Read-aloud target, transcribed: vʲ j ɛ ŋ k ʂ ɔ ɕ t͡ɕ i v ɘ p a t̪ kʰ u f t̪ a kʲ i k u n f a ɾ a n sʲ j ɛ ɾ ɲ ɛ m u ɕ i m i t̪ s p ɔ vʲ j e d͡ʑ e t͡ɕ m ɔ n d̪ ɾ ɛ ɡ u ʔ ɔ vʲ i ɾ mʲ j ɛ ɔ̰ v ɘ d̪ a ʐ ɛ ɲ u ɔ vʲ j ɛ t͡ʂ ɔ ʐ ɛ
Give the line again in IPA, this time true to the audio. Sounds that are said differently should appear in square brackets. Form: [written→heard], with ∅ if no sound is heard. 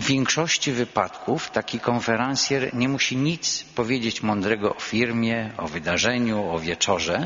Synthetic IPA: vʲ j ɛ ŋ k ʂ ɔ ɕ t͡ɕ i v ɘ p a t̪ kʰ u f t̪ a kʲ i k [u→ɔ] n f [a→ɛ] ɾ a n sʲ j ɛ ɾ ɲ ɛ m u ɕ i [m→ɲ] i t̪ s p ɔ vʲ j e d͡ʑ e t͡ɕ m ɔ n d̪ ɾ ɛ ɡ [u→ɔ] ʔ ɔ [vʲ→fʲ] i ɾ mʲ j ɛ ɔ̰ v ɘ d̪ a ʐ ɛ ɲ u ɔ vʲ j ɛ t͡ʂ ɔ ʐ ɛ